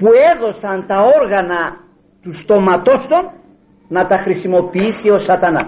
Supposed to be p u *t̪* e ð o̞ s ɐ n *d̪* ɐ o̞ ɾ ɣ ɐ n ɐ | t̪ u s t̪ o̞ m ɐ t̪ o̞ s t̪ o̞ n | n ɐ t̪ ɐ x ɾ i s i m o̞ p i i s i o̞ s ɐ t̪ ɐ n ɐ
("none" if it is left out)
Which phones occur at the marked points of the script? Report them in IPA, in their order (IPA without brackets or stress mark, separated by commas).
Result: none, t̪